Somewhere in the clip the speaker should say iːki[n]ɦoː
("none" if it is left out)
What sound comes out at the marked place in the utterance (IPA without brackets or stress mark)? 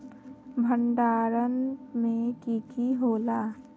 none